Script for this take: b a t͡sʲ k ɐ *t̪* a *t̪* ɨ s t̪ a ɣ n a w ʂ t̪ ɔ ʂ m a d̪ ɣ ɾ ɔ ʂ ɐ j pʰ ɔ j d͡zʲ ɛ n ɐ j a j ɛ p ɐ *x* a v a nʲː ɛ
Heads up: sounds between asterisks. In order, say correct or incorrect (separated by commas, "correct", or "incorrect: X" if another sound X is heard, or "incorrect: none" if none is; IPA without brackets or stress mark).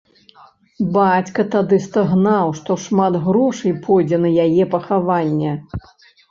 correct, incorrect: d̪, correct